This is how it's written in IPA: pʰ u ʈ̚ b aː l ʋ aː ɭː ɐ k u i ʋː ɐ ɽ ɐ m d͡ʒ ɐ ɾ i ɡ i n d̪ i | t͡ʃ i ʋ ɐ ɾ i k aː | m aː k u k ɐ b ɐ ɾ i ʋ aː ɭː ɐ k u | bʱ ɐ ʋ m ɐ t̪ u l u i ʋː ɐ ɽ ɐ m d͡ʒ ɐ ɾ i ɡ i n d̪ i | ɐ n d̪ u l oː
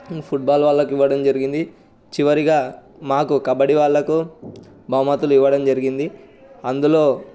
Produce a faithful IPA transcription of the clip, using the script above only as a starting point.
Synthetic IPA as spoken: pʰ u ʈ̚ b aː l ʋ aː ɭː ɐ k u i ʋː ɐ ɽ ɐ m d͡ʒ ɐ ɾ i ɡ i n d̪ i | t͡ʃ i ʋ ɐ ɾ i ɡ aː | m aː k u k ɐ b ɐ ɽ i ʋ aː ɭː ɐ k u | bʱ ɐ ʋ m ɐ t̪ u l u i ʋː ɐ ɽ ɐ m d͡ʒ ɐ ɾ i ɡ i n d̪ i | ɐ n d̪ u l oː